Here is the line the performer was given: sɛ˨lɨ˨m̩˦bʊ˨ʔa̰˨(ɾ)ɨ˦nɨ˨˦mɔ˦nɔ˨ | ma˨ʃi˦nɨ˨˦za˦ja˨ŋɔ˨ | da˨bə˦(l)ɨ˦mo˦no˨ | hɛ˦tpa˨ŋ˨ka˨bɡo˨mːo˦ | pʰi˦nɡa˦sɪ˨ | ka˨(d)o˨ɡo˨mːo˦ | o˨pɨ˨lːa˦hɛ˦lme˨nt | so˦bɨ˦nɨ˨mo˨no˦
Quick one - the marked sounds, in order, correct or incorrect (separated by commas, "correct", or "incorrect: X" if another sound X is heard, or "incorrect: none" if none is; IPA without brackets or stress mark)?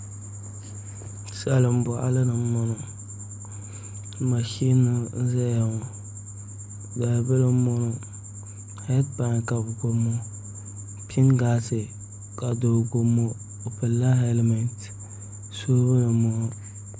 incorrect: l, correct, correct